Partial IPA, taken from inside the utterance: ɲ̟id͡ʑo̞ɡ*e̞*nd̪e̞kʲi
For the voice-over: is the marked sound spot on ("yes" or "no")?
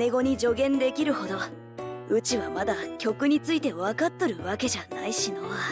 no